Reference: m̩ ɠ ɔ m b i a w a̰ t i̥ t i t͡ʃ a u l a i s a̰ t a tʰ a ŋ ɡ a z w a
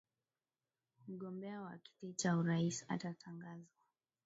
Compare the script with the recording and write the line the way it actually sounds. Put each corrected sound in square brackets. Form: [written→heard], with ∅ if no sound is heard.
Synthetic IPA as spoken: m̩ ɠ ɔ m b [i→ɛ] a w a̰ [t→k] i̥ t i t͡ʃ a u [l→ɾ] a i s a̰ t a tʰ a ŋ ɡ a z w a